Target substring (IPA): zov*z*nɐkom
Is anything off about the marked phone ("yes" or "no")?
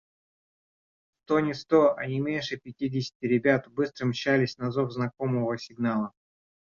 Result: no